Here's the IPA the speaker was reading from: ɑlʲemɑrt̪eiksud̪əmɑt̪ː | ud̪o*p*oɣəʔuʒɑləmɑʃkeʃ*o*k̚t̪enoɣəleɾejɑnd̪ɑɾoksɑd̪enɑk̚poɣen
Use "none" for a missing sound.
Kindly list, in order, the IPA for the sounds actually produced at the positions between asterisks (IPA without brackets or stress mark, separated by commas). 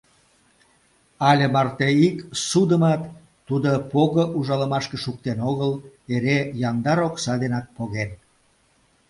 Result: p, u